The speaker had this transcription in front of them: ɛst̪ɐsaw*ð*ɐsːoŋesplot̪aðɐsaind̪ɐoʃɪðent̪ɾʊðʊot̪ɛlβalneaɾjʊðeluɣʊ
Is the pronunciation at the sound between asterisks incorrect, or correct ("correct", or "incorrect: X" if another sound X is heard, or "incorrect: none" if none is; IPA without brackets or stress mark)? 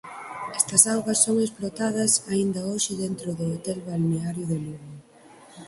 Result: incorrect: ɣ